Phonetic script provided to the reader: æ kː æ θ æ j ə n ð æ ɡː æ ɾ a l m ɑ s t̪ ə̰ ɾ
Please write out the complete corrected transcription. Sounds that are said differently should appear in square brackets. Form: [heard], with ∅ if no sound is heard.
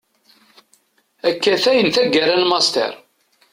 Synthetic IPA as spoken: æ kː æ θ æ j ə n [θ] æ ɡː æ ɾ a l m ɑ s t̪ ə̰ ɾ

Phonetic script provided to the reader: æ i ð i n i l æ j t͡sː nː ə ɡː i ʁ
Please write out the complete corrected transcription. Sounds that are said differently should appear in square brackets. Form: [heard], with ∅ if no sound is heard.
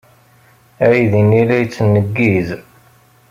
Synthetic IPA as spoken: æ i ð i n i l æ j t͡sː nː ə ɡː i [z]

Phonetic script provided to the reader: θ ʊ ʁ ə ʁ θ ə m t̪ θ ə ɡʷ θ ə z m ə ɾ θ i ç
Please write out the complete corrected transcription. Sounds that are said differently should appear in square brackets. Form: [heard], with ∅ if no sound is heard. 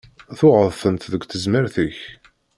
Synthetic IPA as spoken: θ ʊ ʁ ə [ð] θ ə [n] t̪ [ð] ə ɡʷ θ ə z m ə ɾ θ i ç

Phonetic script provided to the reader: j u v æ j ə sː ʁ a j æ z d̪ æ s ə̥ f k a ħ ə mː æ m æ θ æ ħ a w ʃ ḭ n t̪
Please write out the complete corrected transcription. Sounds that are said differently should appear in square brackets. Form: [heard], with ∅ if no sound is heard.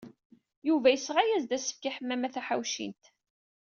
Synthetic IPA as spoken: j u v æ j ə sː ʁ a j æ z d̪ æ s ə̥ f k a ħ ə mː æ m æ θ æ ħ a w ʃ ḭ n t̪

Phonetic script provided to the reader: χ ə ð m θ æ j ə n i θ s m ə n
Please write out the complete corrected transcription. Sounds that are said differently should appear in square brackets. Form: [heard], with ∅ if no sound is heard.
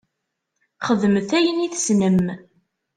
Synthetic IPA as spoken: χ ə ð m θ æ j ə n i θ s [n] ə [m]

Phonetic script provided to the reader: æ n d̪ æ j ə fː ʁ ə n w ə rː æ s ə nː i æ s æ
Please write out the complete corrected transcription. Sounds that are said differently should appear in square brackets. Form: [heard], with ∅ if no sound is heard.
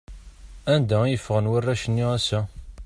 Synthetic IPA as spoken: æ n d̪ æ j ə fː ʁ ə n w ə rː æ [ʃ] ə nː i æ s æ

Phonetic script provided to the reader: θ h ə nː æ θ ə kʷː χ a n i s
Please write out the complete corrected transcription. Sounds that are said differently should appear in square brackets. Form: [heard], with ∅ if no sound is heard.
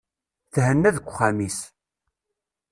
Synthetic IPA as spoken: θ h ə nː æ [ð] ə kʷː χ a [m] i s

